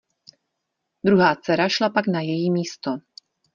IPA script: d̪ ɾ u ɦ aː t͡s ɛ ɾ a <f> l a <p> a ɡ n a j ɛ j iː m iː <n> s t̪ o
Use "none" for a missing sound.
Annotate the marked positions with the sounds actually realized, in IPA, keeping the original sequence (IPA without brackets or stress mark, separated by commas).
ʃ, p, none